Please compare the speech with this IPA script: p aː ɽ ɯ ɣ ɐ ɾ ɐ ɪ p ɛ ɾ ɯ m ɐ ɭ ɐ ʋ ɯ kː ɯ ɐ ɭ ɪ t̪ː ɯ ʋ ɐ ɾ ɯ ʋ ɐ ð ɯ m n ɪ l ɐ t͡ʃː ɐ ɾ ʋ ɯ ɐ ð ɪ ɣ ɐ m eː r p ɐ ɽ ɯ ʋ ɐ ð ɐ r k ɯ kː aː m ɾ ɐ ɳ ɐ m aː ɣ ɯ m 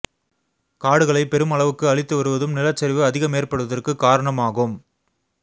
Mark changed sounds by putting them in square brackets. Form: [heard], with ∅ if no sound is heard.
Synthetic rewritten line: [k] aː ɽ ɯ ɣ ɐ [ɭ] ɐ ɪ p ɛ ɾ ɯ m ɐ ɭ ɐ ʋ ɯ kː ɯ ɐ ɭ ɪ t̪ː ɯ ʋ ɐ ɾ ɯ ʋ ɐ ð ɯ m n ɪ l ɐ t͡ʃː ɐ ɾ ʋ ɯ ɐ ð ɪ ɣ ɐ m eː r p ɐ ɽ ɯ ʋ ɐ ð ɐ r k ɯ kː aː [∅] ɾ ɐ ɳ ɐ m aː ɣ ɯ m